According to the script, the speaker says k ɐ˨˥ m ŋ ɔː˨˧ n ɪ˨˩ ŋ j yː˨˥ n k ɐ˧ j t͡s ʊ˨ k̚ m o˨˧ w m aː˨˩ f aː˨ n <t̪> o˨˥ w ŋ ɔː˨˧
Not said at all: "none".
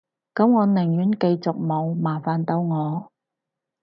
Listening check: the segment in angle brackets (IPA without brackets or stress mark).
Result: t̪